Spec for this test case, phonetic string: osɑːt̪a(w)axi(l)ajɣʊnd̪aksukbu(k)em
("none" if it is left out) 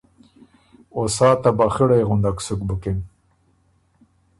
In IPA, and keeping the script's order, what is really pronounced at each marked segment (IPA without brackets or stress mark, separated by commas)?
b, ɽ, k